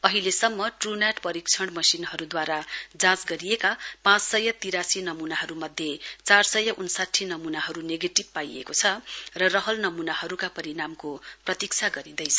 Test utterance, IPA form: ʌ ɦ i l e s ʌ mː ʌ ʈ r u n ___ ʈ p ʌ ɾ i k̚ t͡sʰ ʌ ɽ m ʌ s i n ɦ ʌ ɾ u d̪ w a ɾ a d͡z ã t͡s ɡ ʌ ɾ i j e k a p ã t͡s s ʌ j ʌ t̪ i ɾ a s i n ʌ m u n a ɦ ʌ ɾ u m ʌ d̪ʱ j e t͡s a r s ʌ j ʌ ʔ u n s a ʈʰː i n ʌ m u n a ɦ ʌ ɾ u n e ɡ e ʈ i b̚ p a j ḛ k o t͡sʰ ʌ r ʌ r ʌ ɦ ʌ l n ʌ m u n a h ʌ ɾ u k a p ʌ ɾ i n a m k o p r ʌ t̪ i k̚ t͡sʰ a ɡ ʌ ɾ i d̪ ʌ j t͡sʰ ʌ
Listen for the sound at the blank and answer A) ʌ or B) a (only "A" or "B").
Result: B